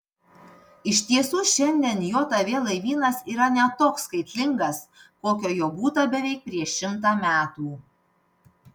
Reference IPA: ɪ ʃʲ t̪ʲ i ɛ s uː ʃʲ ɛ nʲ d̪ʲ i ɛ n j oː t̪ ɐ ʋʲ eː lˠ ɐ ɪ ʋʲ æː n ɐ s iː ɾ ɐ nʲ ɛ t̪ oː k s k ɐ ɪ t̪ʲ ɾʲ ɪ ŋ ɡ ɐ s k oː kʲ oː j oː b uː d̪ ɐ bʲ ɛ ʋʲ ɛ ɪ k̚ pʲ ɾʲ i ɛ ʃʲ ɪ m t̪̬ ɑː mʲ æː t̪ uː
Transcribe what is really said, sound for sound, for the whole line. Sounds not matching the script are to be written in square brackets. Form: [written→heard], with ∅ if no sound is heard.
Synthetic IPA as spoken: ɪ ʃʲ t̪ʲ i ɛ s uː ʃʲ ɛ nʲ d̪ʲ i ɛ n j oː t̪ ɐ ʋʲ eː lˠ ɐ ɪ ʋʲ [æː→iː] n ɐ s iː ɾ ɐ nʲ ɛ t̪ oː k s k ɐ ɪ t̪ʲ [ɾʲ→lʲ] ɪ ŋ ɡ ɐ s k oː kʲ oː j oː b uː [d̪→t̪] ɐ bʲ ɛ ʋʲ ɛ ɪ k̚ pʲ ɾʲ i ɛ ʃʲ ɪ m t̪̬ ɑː mʲ æː t̪ uː